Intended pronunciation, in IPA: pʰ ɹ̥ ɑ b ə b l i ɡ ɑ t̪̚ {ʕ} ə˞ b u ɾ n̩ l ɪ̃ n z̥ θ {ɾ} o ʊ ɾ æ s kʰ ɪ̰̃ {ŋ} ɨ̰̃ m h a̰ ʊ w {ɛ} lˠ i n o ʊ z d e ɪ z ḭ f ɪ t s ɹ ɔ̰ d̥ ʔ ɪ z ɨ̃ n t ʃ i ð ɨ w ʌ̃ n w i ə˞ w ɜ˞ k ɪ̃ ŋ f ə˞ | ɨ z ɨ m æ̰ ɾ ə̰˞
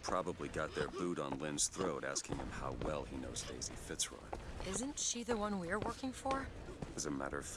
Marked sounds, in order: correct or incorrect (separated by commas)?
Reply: incorrect, incorrect, correct, correct